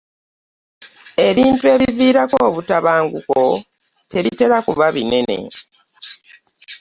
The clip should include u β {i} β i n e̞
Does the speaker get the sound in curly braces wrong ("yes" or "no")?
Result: yes